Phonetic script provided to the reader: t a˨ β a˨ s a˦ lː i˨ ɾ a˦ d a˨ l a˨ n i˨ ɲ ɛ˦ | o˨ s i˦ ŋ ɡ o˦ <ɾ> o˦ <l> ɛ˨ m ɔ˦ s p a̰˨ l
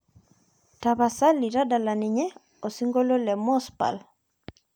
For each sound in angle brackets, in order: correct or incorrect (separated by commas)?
incorrect, correct